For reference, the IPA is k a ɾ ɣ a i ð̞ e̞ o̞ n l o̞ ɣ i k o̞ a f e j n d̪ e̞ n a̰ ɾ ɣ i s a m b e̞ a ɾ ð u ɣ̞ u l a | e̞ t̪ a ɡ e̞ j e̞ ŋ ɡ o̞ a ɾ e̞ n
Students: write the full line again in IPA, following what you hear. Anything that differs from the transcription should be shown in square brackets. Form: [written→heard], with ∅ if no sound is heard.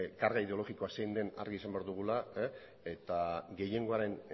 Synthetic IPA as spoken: k a ɾ ɣ a i ð̞ e̞ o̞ [n→∅] l o̞ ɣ i k o̞ a [f→s] e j n d̪ e̞ n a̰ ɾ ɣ i s a m b e̞ a ɾ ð u ɣ̞ u l a | e̞ t̪ a ɡ e̞ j e̞ ŋ ɡ o̞ a ɾ e̞ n